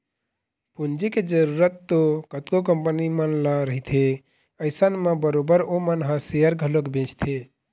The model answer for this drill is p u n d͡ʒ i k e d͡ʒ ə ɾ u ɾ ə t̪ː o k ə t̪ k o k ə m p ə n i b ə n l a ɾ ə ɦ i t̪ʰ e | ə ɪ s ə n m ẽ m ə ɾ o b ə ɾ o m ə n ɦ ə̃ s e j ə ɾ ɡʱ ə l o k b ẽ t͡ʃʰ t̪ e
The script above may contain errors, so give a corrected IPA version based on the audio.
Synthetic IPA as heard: p u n d͡ʒ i k e d͡ʒ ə ɾ u ɾ ə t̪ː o k ə t̪ k o k ə m p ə n i m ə n l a ɾ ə ɦ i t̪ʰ e | ə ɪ s ə n m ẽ b ə ɾ o b ə ɾ o m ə n ɦ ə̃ s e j ə ɾ ɡʱ ə l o k b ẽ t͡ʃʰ t̪ʰ e